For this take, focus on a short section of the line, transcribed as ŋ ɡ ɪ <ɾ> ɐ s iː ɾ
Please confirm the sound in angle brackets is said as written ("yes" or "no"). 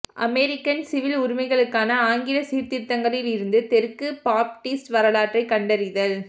no